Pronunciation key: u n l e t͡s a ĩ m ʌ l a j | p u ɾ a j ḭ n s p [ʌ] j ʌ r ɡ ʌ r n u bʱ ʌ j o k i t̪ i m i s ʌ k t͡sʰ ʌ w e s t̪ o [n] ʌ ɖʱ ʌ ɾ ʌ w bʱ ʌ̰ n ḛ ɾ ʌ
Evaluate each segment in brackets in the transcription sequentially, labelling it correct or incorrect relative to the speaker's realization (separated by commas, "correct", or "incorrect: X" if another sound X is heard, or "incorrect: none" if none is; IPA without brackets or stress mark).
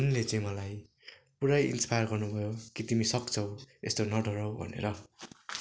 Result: incorrect: a, correct